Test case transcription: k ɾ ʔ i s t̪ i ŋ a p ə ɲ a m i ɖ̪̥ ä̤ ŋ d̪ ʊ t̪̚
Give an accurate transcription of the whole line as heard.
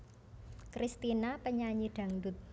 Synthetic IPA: k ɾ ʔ i s t̪ i n a p ə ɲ a ɲ i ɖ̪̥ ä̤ ŋ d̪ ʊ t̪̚